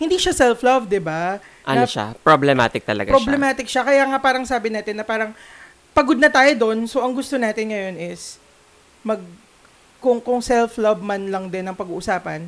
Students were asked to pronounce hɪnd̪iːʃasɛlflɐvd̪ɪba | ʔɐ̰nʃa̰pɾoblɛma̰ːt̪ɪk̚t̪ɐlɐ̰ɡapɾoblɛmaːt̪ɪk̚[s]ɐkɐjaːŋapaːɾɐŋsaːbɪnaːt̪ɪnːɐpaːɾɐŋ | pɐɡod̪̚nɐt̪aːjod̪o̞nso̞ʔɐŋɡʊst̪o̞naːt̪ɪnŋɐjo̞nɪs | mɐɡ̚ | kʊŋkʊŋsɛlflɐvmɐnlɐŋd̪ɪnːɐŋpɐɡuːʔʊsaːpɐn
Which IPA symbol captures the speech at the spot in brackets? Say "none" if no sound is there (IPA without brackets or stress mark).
ʃ